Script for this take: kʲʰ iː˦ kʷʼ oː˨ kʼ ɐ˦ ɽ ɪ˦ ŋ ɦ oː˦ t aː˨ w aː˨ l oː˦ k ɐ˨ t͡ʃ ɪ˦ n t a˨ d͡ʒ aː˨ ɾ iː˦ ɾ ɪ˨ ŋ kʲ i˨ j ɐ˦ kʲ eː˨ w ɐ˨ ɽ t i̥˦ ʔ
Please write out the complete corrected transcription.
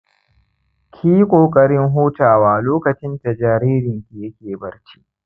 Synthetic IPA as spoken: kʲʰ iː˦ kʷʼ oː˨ kʼ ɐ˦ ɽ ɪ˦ ŋ ɦ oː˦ t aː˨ w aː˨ l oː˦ k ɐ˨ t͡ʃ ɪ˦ n t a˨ d͡ʒ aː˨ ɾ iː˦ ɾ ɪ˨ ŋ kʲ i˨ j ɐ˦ kʲ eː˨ b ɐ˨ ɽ t͡ʃ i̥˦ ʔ